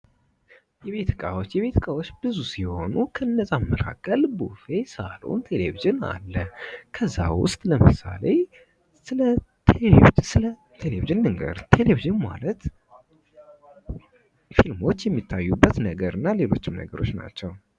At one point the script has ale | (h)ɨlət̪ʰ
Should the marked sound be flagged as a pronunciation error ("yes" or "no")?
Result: yes